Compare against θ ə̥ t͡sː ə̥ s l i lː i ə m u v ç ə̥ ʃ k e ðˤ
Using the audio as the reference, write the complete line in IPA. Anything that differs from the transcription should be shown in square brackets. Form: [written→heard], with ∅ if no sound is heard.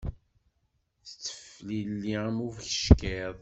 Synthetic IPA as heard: θ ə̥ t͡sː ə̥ [s→f] l i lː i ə m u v ç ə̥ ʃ k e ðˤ